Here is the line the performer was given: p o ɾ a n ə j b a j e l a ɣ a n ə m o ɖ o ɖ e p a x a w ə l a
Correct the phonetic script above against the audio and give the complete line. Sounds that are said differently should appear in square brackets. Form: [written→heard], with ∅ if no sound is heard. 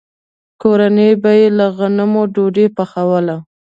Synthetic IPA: [p→k] o ɾ a n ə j b a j e l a ɣ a n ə m o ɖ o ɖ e p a x a w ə l a